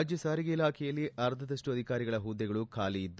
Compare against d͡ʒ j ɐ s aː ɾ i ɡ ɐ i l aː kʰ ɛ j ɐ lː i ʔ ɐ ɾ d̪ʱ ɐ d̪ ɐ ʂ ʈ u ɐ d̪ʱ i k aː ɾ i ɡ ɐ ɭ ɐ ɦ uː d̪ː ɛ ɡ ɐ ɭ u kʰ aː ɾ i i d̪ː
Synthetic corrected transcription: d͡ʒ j ɐ s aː ɾ i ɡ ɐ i l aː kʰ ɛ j ɐ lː i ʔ ɐ ɾ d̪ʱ ɐ d̪ ɐ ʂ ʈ u ɐ d̪ʱ i k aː ɾ i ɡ ɐ ɭ ɐ ɦ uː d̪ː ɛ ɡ ɐ ɭ u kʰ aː l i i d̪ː